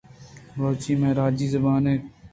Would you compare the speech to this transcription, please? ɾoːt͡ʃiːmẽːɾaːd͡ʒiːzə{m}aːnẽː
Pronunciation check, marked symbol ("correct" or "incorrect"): incorrect